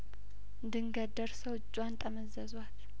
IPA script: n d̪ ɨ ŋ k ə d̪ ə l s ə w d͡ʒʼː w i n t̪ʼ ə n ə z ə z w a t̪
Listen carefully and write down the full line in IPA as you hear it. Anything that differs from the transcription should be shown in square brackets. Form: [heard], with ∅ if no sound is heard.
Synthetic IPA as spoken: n d̪ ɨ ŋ [ɡ] ə d̪ ə [ɾ] s ə w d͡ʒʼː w [a] n t̪ʼ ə [m] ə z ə z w a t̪